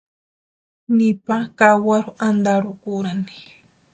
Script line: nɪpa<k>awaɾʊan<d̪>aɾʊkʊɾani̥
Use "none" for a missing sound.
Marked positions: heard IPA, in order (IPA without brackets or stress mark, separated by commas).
k, d̪